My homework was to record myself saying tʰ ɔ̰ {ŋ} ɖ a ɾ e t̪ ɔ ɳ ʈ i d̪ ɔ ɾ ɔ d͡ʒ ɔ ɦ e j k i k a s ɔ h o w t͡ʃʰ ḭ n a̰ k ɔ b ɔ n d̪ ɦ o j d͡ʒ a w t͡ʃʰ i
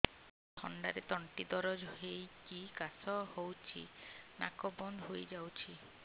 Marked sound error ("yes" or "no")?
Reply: yes